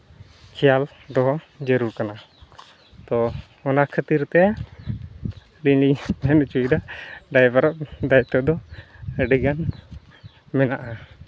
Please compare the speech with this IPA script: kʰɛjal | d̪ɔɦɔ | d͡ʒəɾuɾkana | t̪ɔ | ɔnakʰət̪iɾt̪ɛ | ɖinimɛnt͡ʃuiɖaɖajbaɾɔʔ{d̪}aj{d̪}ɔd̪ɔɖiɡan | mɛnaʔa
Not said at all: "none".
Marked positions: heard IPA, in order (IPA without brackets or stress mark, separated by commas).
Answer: d̪, t̪